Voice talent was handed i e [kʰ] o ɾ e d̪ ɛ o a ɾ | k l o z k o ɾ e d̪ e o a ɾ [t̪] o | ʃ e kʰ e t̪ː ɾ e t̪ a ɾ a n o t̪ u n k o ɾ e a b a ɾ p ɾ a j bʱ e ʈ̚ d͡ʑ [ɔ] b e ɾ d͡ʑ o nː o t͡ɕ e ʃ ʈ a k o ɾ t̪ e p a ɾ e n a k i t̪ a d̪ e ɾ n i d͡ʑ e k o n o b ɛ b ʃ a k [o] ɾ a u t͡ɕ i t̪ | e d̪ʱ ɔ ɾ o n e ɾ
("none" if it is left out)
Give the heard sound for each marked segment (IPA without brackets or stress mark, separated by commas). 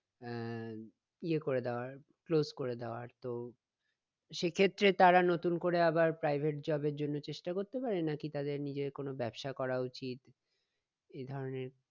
k, t̪, ɔ, ɔ